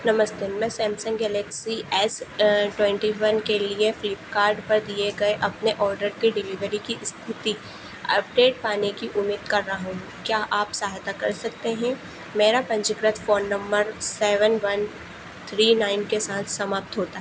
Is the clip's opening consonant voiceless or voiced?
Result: voiced